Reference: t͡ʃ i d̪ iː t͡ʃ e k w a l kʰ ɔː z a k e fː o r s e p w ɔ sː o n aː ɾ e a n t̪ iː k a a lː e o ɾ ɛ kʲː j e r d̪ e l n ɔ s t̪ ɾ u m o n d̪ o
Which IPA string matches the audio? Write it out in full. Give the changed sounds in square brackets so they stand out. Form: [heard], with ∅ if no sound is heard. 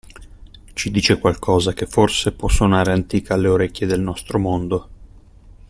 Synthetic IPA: t͡ʃ i d̪ iː t͡ʃ e k w a l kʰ ɔː z a k e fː o r s e p w ɔ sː o n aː ɾ e a n t̪ iː k a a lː e o ɾ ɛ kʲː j e [∅] d̪ e l n ɔ s t̪ ɾ [o] m o n d̪ o